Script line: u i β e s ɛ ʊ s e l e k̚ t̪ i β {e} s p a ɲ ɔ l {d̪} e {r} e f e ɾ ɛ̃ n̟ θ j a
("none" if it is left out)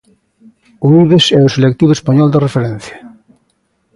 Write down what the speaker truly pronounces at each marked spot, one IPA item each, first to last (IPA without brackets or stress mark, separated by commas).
e, d̪, r